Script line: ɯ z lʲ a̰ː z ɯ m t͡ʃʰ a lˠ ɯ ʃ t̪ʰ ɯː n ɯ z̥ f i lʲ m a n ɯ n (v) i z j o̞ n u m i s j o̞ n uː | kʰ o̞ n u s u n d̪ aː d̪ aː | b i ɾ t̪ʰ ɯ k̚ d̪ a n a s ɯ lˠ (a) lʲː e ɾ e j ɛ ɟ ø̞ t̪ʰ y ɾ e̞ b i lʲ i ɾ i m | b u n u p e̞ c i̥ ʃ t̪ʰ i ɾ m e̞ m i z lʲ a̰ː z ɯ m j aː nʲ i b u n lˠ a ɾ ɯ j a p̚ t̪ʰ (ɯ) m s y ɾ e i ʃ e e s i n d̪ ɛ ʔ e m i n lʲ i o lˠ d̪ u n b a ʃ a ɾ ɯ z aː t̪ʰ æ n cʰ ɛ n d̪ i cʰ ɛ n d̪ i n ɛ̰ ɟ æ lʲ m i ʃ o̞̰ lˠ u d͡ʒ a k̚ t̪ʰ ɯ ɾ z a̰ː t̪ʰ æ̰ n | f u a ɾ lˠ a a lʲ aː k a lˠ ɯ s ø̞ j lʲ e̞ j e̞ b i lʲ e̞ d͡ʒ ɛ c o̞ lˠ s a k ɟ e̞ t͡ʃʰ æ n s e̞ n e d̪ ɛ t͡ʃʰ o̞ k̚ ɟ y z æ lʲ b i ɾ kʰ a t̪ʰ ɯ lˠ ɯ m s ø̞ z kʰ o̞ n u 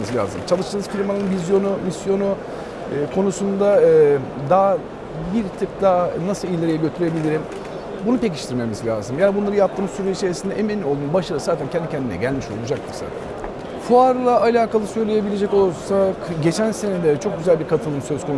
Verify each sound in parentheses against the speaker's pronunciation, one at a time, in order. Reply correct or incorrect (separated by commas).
correct, incorrect, incorrect